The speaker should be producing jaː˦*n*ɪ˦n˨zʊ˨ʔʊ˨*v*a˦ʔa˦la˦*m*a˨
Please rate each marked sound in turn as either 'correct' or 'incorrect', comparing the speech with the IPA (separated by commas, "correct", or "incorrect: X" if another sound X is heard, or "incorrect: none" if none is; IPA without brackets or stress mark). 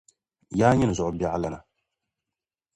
incorrect: ɲ, incorrect: b, incorrect: n